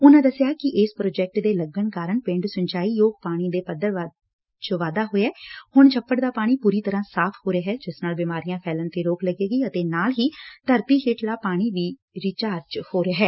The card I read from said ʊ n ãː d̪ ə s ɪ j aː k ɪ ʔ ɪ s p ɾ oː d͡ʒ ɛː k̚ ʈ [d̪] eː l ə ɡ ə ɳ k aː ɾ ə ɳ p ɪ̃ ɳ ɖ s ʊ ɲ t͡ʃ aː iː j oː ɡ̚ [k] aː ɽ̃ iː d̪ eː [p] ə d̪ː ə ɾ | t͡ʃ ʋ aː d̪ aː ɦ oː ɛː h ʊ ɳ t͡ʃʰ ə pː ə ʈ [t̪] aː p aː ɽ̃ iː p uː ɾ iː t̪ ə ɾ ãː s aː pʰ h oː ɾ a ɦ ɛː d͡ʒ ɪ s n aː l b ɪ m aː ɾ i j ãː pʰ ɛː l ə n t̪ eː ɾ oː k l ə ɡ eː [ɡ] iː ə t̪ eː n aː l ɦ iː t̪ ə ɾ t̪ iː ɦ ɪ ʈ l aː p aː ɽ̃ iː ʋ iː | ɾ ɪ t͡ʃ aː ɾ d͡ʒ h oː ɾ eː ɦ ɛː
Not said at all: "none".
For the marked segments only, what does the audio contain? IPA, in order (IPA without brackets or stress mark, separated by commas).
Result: d̪, p, p, d̪, ɡ